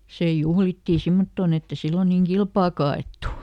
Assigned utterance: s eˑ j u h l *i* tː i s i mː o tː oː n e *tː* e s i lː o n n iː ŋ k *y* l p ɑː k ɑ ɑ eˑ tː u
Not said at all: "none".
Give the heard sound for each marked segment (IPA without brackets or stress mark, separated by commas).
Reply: i, tː, i